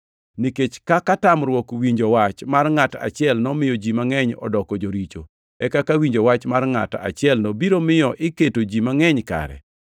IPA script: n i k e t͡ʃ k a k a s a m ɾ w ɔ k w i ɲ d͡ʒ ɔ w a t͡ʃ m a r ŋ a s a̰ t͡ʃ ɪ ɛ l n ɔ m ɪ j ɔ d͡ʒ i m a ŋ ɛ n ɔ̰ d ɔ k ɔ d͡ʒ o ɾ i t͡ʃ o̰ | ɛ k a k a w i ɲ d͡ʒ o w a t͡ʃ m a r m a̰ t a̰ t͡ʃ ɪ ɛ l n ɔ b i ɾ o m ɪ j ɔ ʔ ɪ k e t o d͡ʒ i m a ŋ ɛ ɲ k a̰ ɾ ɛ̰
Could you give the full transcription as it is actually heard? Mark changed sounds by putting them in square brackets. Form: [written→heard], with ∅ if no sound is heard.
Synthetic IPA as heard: n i k e t͡ʃ k a k a [s→t] a m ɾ w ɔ k w i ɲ d͡ʒ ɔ w a t͡ʃ m a r ŋ a [s→t] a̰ t͡ʃ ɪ ɛ l n ɔ m ɪ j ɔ d͡ʒ i m a ŋ ɛ [n→ɲ] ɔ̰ d ɔ k ɔ d͡ʒ o ɾ i t͡ʃ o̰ | ɛ k a k a w i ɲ d͡ʒ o w a t͡ʃ m a r [m→ŋ] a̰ t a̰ t͡ʃ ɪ ɛ l n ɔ b i ɾ o m ɪ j ɔ ʔ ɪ k e t o d͡ʒ i m a ŋ ɛ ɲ k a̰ ɾ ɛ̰

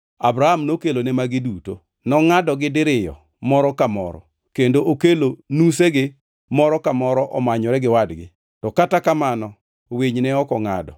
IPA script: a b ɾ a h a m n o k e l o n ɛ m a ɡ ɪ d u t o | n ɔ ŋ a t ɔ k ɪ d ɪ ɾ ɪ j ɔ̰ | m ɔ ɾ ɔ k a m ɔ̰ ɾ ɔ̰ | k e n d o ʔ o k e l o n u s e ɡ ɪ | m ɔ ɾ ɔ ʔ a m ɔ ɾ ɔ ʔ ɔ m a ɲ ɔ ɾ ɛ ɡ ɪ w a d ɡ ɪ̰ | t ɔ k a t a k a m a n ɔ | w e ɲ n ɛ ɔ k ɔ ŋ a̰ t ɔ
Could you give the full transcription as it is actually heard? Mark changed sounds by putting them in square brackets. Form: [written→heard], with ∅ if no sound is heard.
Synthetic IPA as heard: a b ɾ a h a m n o k e l o n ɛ m a ɡ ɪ d u t o | n ɔ ŋ a [t→d] ɔ [k→ɡ] ɪ d ɪ ɾ ɪ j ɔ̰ | m ɔ ɾ ɔ k a m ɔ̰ ɾ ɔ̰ | k e n d o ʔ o k e l o n u s e ɡ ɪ | m ɔ ɾ ɔ [ʔ→k] a m ɔ ɾ ɔ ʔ ɔ m a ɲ ɔ ɾ ɛ ɡ ɪ w a d ɡ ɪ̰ | t ɔ k a t a k a m a n ɔ | w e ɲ n ɛ ɔ k ɔ ŋ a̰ [t→d] ɔ

